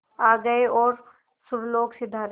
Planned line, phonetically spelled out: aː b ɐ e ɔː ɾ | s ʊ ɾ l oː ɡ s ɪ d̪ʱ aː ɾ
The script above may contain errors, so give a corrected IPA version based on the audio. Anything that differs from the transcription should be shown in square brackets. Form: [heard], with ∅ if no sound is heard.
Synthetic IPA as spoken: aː [ɡ] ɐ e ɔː ɾ | s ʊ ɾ l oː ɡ s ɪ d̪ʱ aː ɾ